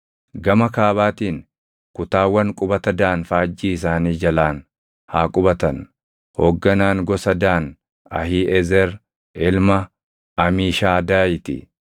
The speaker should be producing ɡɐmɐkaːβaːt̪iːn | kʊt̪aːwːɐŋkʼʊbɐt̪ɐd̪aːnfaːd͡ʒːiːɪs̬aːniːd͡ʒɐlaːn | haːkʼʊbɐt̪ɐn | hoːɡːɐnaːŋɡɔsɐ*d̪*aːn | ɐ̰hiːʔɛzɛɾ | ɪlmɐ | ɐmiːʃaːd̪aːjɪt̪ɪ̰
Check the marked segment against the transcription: correct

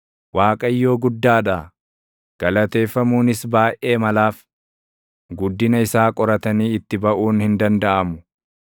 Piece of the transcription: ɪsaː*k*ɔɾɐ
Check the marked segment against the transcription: incorrect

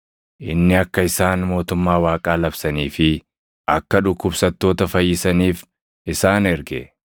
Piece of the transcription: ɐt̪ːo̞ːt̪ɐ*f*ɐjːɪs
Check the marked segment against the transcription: correct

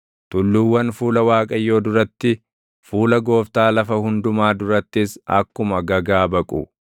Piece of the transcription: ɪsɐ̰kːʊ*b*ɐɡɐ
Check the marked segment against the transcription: incorrect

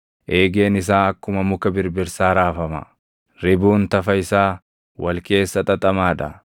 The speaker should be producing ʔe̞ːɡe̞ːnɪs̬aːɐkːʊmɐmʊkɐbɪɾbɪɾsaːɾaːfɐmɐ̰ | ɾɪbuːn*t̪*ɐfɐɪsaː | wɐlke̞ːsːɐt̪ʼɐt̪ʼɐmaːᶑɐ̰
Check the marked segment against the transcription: correct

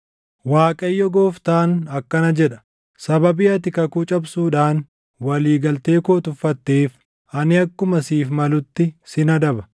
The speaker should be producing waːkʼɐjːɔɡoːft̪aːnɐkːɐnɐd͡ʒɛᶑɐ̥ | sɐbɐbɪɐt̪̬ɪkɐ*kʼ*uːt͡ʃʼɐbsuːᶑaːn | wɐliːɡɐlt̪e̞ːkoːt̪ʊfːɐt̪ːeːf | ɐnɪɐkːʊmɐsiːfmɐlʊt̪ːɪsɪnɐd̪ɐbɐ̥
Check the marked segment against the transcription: incorrect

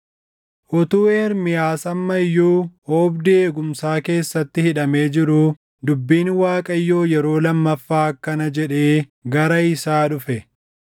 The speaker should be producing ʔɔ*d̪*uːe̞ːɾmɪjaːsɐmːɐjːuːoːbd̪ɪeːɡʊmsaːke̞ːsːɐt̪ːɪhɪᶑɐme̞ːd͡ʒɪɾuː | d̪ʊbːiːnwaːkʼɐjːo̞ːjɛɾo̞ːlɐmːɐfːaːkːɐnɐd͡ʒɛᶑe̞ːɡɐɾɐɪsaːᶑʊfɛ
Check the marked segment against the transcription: incorrect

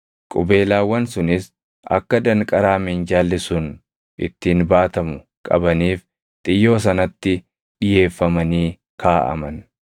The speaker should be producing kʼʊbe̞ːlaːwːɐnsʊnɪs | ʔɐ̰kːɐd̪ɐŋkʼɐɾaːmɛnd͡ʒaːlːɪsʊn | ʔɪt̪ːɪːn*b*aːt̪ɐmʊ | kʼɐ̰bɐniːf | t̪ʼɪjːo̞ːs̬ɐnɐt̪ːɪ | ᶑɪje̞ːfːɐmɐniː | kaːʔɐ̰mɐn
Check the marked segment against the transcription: correct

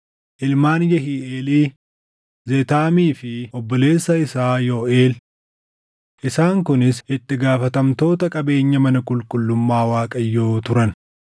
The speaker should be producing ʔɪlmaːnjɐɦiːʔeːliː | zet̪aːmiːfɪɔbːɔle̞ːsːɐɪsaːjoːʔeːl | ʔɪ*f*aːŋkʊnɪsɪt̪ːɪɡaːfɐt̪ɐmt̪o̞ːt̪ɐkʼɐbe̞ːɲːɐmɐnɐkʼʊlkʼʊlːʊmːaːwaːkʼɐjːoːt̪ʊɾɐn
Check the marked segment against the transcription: incorrect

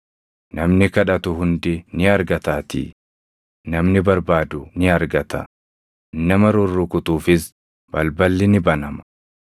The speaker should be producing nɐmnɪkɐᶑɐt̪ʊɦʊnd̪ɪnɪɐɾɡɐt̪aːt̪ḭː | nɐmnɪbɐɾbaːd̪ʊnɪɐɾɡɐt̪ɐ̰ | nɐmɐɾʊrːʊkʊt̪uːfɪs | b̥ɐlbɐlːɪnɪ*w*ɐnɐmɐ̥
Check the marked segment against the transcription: incorrect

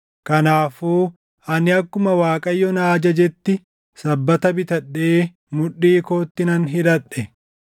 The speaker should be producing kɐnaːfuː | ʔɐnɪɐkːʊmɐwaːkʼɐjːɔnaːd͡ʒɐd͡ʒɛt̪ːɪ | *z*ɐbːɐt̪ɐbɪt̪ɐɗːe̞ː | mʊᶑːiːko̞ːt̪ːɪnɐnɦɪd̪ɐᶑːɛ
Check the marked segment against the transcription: incorrect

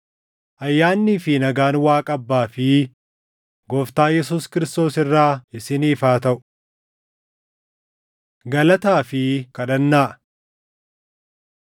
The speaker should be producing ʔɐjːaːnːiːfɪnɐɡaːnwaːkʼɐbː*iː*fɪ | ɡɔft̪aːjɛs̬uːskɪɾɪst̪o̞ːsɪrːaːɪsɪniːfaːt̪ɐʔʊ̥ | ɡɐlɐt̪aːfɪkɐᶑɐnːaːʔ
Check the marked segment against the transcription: incorrect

